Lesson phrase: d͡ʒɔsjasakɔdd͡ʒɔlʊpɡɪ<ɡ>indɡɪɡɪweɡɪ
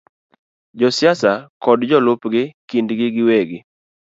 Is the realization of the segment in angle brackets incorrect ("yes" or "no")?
yes